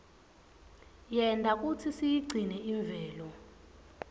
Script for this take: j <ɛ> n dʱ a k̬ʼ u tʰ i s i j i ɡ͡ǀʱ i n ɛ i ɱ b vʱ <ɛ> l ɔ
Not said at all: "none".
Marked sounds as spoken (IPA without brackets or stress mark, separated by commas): ɛ, ɛː